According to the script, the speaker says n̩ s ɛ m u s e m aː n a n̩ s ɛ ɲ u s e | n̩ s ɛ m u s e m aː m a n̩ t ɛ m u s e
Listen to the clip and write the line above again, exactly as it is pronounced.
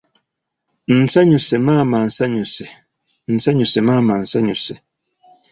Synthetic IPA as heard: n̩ s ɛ ɲ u s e m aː m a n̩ s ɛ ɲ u s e | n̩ s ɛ ɲ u s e m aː m a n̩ s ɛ ɲ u s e